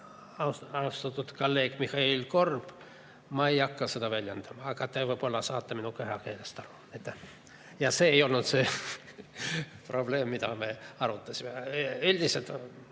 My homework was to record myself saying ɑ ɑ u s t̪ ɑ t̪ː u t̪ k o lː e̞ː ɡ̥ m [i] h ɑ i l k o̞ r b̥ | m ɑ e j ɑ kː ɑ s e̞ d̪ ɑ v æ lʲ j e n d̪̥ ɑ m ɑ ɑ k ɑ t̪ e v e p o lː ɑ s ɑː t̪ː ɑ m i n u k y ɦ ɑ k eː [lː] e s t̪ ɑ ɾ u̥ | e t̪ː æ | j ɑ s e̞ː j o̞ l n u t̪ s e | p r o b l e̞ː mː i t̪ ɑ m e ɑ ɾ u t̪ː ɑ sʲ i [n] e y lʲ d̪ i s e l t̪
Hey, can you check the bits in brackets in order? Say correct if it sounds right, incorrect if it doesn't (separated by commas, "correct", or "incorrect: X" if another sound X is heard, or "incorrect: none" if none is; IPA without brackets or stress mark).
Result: correct, incorrect: l, incorrect: m